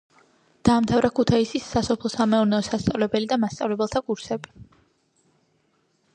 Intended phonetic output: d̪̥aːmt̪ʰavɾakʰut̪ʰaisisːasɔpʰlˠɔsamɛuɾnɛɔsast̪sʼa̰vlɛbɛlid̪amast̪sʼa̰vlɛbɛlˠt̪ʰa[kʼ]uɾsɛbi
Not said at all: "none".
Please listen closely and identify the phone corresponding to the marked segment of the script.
kʼ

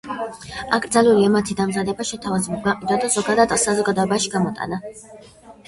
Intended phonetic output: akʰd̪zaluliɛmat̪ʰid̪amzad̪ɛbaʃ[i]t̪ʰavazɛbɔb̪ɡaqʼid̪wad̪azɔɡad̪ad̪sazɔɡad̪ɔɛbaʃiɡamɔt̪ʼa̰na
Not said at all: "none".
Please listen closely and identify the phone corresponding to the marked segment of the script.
ɛ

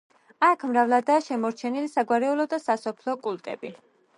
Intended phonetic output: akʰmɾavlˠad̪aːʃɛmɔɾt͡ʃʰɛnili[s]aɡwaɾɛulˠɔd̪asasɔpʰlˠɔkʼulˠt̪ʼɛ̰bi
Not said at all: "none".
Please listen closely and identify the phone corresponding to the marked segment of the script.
s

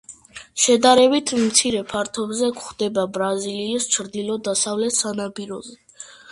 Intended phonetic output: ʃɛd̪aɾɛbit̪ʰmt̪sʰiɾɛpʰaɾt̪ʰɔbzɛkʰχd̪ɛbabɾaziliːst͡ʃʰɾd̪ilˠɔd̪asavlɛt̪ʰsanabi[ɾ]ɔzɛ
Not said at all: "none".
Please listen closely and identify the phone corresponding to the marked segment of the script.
ɾ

